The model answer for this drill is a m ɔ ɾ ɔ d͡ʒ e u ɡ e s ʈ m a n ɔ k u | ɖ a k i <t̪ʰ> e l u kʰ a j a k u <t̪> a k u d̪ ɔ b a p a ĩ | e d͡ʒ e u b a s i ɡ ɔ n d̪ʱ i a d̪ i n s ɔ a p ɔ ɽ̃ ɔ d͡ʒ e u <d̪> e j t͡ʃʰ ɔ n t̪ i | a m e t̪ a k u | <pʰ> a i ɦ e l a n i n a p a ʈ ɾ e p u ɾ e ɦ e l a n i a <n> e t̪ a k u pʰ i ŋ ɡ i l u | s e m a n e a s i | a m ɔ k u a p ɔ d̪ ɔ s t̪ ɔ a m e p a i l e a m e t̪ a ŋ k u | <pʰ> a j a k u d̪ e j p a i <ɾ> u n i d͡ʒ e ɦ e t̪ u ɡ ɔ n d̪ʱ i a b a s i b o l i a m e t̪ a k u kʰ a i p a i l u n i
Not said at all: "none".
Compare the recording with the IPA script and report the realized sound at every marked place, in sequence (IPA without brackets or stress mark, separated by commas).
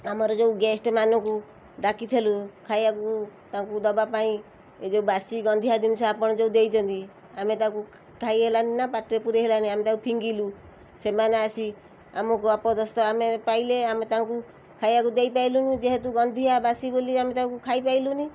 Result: t̪ʰ, t̪, d̪, kʰ, m, kʰ, l